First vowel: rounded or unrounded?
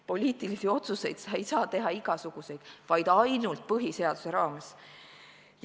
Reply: rounded